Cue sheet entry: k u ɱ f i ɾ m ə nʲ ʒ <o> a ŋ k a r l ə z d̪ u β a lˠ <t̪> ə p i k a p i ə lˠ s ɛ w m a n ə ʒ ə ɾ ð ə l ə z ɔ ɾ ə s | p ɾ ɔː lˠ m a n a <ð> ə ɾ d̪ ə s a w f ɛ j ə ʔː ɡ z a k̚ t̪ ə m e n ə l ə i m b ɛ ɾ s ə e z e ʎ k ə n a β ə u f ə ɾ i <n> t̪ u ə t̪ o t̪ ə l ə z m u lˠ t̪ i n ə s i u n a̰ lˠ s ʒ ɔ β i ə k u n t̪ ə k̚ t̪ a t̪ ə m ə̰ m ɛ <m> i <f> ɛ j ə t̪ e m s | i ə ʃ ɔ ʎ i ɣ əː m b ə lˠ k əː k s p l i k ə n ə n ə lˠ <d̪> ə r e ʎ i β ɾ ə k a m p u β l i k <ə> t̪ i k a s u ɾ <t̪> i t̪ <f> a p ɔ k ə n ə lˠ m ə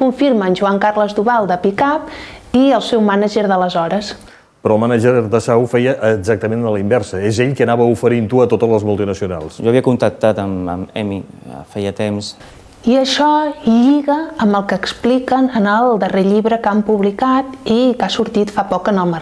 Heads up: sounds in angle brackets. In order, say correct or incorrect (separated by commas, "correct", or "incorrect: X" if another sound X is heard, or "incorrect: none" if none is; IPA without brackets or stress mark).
incorrect: u, incorrect: d̪, incorrect: ʒ, correct, correct, correct, correct, incorrect: a, correct, correct